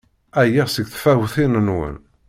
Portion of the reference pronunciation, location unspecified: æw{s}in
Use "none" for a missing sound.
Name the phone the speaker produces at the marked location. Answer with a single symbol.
θ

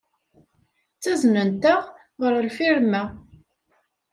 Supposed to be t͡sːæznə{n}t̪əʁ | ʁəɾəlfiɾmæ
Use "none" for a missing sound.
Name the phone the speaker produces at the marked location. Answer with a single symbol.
n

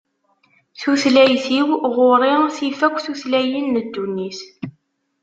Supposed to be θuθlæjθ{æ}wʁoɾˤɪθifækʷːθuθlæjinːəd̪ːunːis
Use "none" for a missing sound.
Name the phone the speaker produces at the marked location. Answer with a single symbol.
i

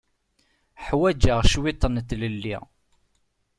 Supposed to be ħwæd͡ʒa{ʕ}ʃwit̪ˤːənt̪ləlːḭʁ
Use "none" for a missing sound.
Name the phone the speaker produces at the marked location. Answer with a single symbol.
ʁ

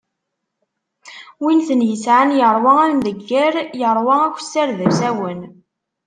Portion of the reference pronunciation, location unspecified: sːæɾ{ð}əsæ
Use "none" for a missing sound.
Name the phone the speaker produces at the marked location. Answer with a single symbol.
ð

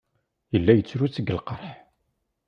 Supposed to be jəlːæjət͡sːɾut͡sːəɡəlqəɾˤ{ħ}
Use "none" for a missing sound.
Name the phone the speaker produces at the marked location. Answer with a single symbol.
ħ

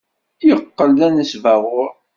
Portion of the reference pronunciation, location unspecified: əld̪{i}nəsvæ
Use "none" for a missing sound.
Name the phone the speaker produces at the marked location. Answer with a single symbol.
æ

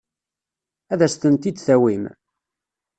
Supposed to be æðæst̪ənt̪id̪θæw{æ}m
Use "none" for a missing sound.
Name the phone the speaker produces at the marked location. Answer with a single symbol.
i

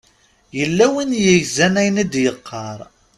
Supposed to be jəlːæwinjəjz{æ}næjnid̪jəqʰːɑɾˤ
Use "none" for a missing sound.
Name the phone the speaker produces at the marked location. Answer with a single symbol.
æ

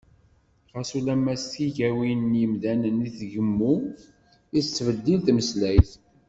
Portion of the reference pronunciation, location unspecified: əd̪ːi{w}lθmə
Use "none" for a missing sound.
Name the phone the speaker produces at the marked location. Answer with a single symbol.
none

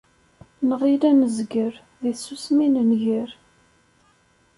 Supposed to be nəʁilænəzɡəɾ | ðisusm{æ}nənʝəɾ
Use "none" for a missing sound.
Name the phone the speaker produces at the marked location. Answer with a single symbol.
i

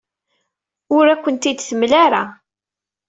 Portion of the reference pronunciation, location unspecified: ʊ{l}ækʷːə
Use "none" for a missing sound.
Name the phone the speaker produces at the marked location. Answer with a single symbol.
ɾ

